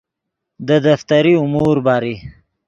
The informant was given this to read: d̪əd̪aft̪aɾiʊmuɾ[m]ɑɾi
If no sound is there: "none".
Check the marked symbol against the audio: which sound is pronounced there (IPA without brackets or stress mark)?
b